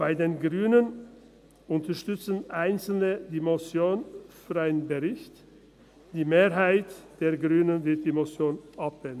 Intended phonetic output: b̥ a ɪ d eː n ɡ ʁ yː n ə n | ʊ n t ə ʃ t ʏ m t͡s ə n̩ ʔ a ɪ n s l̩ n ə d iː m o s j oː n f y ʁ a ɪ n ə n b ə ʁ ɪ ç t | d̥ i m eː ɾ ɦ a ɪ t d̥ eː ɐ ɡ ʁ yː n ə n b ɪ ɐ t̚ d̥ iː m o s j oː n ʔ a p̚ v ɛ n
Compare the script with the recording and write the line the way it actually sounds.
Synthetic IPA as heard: b̥ a ɪ d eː n ɡ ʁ yː n ə n | ʊ n t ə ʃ t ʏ t͡s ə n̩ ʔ a ɪ n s l̩ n ə d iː m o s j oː n f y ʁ a ɪ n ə n b ə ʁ ɪ ç t | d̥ iː m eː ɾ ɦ a ɪ t d̥ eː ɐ ɡ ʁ yː n ə n v ɪ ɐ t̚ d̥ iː m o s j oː n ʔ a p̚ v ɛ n